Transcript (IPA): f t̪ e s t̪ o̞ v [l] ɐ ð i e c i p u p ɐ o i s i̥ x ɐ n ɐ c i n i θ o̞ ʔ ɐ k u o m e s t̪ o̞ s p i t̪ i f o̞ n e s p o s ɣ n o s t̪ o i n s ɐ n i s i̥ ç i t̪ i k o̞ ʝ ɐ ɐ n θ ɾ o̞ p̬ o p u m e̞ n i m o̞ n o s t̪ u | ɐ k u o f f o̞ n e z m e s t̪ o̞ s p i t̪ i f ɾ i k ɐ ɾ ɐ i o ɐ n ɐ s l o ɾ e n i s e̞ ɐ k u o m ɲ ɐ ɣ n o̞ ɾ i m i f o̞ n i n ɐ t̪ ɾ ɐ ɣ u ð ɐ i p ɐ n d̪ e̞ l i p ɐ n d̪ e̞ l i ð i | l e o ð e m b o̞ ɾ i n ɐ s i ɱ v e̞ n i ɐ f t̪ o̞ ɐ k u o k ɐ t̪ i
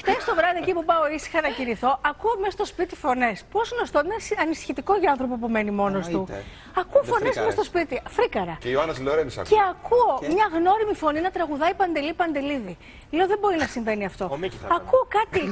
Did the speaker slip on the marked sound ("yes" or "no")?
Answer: yes